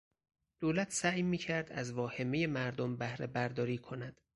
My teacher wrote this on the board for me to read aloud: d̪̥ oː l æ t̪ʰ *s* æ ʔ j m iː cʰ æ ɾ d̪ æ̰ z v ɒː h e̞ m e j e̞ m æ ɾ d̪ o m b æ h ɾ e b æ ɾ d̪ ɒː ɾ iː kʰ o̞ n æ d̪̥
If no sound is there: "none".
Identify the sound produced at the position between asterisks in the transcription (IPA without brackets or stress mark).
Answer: s